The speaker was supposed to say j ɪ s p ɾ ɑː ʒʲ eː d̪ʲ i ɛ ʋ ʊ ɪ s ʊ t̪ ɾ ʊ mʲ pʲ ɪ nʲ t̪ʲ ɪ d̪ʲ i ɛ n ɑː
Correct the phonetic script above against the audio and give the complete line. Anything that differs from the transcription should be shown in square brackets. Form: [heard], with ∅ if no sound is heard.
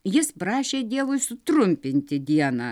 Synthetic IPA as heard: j ɪ s p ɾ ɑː [ʃʲ] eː d̪ʲ i ɛ ʋ ʊ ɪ s ʊ t̪ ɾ ʊ mʲ pʲ ɪ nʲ t̪ʲ ɪ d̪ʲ i ɛ n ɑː

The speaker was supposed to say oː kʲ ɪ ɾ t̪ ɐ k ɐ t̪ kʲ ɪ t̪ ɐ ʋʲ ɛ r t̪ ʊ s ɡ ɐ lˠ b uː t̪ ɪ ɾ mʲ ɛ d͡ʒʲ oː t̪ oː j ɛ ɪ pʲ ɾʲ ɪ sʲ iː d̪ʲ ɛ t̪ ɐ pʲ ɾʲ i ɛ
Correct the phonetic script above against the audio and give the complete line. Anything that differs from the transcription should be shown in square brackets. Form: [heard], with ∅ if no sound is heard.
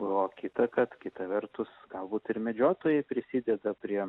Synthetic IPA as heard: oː kʲ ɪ [∅] t̪ ɐ k ɐ t̪ kʲ ɪ t̪ ɐ ʋʲ ɛ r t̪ ʊ s ɡ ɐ lˠ b uː t̪ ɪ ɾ mʲ ɛ d͡ʒʲ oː t̪ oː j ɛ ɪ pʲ ɾʲ ɪ sʲ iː d̪ʲ ɛ [d̪] ɐ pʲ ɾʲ i ɛ

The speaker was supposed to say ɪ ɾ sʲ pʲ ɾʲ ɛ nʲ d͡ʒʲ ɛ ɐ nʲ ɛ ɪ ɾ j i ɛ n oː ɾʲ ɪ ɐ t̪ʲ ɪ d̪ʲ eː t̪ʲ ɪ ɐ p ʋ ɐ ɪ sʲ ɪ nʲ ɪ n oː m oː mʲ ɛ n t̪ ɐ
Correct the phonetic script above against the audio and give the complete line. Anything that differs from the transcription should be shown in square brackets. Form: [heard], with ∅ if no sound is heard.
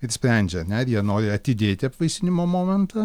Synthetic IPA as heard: ɪ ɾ sʲ pʲ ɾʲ ɛ nʲ d͡ʒʲ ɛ ɐ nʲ ɛ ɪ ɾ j i ɛ n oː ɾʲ ɪ ɐ t̪ʲ ɪ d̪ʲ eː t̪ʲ ɪ ɐ p ʋ ɐ ɪ sʲ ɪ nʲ ɪ [m] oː m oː mʲ ɛ n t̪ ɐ

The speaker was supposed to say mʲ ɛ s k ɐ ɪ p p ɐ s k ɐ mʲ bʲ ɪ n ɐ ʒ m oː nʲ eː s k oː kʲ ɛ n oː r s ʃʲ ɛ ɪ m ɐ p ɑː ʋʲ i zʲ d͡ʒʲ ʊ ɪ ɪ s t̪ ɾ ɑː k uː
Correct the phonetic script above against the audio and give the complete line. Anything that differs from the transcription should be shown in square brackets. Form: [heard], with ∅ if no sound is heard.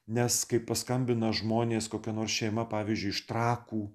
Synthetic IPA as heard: [nʲ] ɛ s k ɐ ɪ p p ɐ s k ɐ mʲ bʲ ɪ n ɐ ʒ m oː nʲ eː s k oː kʲ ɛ n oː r s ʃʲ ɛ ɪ m ɐ p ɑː ʋʲ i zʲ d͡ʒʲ ʊ ɪ ɪ [ʃ] t̪ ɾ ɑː k uː

